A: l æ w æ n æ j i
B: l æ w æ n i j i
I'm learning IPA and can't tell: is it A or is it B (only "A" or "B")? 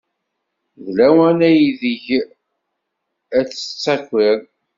A